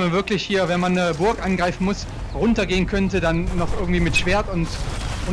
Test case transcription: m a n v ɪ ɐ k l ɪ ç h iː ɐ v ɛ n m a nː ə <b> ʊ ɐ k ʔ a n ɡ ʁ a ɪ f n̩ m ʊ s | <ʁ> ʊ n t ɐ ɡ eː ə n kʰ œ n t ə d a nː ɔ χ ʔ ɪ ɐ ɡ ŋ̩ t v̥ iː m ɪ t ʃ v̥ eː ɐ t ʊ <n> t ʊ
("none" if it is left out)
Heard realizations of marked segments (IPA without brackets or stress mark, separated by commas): b, ʁ, n